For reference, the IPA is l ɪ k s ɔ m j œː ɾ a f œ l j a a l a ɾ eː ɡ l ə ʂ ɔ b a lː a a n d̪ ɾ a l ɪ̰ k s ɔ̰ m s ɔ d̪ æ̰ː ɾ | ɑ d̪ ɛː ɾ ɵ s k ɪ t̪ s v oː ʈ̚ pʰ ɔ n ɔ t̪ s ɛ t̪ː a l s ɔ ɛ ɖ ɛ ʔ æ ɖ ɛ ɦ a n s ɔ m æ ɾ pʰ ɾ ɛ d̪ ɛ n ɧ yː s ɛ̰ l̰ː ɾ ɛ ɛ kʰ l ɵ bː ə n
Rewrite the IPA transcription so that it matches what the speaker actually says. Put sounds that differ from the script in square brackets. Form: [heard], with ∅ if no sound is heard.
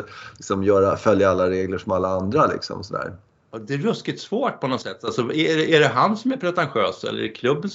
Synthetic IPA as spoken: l ɪ k s ɔ m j œː ɾ a f œ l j a a [lː] a ɾ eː ɡ l ə ʂ ɔ [m] a lː a a n d̪ ɾ a l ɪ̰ k s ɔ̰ m s ɔ d̪ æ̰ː ɾ | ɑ d̪ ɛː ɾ ɵ s k ɪ t̪ s v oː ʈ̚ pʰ ɔ n ɔ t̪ s ɛ t̪ː a l s ɔ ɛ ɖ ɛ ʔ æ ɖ ɛ ɦ a n s ɔ m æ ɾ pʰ ɾ ɛ [t̪] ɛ n ɧ [øː] s ɛ̰ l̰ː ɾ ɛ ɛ kʰ l ɵ bː ə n